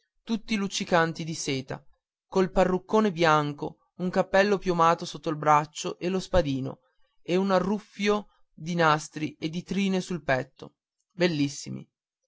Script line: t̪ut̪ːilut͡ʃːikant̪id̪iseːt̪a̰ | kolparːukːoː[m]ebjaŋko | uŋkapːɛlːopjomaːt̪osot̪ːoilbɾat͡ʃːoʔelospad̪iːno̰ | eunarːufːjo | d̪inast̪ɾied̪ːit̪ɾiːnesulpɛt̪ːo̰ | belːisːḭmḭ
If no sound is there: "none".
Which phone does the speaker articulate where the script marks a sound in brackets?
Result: n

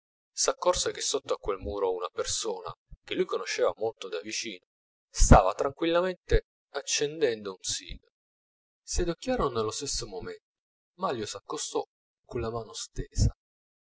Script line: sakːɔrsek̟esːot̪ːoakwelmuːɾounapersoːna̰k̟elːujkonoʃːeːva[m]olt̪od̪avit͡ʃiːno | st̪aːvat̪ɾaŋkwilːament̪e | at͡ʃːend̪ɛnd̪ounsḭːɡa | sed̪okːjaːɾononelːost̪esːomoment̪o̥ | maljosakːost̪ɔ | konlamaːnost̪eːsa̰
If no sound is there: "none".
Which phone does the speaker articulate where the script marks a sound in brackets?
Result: m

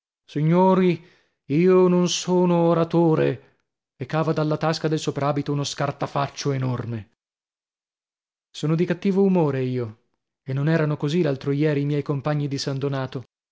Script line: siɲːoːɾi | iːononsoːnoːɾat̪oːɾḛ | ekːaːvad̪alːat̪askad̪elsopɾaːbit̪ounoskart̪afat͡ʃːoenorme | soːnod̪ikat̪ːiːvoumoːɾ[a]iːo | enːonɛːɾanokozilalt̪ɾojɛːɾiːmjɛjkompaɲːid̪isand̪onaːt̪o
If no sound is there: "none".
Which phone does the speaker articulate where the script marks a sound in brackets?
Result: e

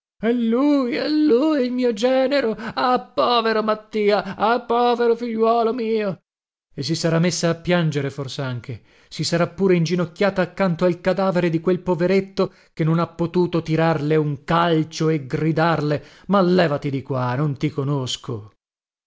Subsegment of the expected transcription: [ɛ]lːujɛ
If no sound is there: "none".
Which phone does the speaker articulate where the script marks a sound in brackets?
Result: ɛ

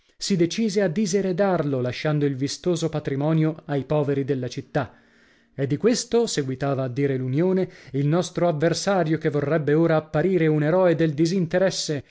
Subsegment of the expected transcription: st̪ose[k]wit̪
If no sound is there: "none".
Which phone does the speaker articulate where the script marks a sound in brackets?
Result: ɡ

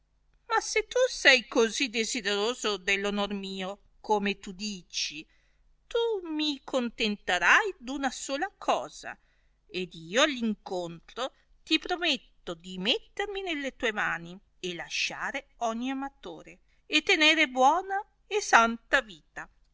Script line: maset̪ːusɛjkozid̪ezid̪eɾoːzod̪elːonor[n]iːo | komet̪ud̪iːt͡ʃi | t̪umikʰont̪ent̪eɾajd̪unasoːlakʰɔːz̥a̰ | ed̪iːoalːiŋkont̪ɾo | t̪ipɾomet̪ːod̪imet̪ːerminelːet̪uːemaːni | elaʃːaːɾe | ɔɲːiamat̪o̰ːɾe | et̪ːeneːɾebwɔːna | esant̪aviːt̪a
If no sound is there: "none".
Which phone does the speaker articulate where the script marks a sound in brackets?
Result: m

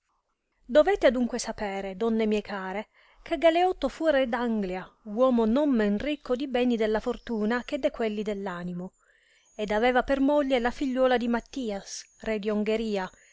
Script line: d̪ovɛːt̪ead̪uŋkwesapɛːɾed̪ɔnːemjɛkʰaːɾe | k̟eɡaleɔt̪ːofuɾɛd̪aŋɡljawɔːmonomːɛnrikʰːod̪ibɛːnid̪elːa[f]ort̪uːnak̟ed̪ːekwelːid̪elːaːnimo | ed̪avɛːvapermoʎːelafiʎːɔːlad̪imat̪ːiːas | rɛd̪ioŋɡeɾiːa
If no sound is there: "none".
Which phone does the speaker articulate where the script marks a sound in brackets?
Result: f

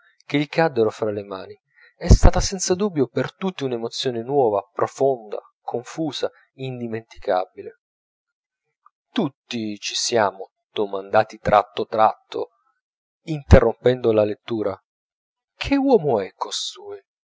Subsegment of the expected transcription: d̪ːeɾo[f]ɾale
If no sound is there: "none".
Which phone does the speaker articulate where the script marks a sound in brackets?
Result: f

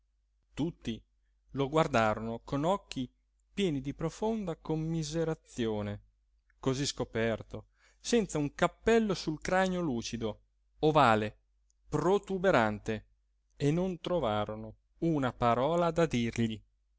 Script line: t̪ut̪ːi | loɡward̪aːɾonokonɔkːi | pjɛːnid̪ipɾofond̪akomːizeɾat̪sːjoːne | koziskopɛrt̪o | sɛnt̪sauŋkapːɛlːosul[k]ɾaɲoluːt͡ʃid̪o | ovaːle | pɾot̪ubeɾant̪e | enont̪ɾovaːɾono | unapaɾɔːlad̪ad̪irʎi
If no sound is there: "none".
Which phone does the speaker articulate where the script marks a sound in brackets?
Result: k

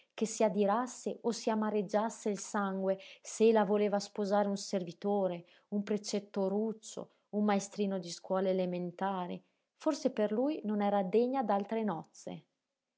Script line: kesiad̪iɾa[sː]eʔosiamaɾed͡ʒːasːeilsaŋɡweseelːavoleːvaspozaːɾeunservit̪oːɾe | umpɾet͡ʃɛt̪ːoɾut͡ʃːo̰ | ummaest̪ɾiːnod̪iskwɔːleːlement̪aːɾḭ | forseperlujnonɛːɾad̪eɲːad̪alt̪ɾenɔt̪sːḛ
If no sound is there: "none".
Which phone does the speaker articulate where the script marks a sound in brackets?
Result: sː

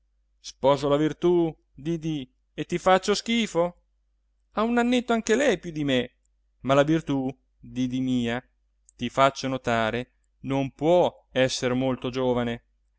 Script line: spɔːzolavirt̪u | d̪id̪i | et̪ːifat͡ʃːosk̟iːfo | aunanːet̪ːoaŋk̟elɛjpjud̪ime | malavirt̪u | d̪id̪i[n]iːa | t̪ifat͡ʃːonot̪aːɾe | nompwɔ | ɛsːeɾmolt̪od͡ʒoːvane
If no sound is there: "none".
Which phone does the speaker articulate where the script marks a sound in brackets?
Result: m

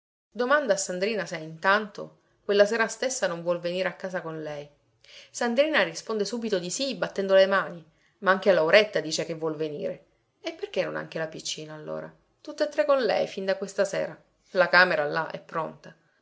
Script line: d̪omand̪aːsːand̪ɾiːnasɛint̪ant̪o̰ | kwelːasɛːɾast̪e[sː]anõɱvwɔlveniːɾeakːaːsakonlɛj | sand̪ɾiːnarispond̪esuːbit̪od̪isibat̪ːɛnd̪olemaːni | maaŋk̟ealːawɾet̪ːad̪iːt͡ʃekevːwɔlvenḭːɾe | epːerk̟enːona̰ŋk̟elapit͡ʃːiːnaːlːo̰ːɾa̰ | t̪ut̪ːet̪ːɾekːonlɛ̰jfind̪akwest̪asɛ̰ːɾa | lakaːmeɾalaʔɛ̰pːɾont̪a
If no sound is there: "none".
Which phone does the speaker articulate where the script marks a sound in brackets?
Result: sː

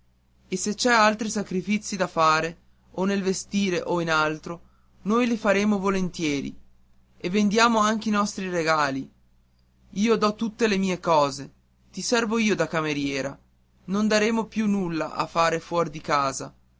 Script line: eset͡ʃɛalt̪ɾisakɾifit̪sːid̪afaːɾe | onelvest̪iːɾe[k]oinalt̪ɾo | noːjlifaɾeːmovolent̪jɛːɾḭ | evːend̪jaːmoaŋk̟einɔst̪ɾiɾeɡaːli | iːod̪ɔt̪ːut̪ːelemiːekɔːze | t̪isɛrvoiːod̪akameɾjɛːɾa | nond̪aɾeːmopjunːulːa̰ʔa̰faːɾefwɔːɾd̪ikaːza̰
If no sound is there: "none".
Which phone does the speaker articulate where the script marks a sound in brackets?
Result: ʔ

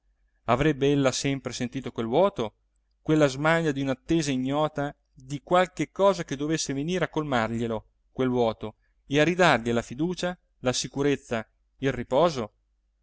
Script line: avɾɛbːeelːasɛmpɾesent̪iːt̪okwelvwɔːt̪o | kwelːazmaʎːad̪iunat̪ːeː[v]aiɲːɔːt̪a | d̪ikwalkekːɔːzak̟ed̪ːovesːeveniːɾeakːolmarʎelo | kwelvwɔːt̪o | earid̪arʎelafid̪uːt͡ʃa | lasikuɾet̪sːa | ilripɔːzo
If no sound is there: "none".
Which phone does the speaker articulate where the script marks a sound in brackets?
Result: z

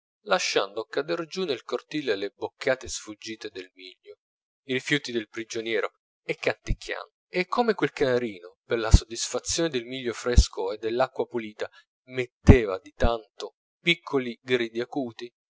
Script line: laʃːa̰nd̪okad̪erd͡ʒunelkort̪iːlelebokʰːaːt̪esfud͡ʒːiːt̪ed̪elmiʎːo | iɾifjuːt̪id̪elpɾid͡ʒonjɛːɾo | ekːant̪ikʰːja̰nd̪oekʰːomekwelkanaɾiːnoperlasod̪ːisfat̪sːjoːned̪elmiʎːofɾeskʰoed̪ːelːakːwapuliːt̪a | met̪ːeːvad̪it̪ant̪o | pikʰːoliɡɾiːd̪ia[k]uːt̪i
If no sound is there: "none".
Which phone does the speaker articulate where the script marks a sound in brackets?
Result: k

